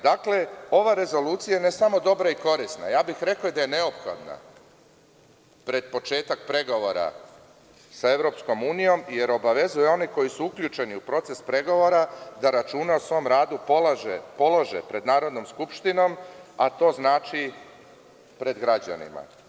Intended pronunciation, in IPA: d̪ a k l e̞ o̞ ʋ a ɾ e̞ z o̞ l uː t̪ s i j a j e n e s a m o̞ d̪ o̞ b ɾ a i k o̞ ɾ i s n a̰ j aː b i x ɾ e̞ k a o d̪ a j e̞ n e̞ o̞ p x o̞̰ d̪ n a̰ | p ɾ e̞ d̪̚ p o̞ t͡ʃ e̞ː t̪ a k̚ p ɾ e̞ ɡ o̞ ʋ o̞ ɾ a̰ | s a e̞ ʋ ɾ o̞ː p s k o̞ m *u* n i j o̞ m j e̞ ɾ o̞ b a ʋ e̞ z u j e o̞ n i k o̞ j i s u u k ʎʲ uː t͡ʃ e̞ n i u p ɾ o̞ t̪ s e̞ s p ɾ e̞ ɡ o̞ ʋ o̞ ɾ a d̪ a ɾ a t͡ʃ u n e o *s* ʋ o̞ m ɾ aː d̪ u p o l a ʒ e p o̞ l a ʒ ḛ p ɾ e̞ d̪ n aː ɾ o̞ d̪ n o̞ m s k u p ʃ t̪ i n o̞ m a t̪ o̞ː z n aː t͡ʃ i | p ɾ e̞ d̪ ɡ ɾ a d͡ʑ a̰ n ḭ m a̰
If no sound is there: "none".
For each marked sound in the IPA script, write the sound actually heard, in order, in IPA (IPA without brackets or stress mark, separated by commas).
uː, s